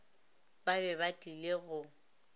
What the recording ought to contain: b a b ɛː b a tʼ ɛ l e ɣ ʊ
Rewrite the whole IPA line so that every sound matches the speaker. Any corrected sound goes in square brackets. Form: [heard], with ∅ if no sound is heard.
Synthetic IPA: b a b [ɛ] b a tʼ [i] l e ɣ ʊ